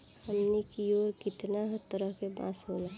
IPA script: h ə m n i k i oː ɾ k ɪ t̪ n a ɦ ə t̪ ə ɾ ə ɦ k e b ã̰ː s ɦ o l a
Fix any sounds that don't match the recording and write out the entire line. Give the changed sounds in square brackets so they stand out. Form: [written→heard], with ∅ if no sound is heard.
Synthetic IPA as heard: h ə m n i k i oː ɾ k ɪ t̪ n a ɦ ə t̪ ə ɾ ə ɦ k e b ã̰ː s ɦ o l a